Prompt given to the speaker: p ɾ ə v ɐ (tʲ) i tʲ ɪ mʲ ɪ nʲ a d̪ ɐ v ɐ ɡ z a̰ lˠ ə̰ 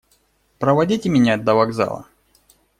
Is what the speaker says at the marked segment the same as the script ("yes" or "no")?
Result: no